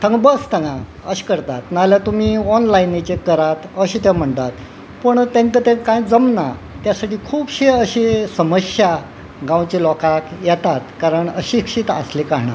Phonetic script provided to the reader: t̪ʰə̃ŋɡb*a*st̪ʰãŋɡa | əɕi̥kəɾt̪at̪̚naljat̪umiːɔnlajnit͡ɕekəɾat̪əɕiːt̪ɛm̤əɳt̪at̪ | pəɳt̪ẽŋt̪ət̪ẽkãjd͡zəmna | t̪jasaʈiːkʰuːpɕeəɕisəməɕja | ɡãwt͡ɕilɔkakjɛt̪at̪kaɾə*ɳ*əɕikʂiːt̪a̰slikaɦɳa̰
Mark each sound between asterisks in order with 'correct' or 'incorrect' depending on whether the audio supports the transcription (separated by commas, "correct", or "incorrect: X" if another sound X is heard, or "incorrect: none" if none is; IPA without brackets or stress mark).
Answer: incorrect: ə, correct